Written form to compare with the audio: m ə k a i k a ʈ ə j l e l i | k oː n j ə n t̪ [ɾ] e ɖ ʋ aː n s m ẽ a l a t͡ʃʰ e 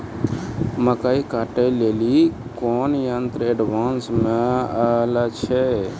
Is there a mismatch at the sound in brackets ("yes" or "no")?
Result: no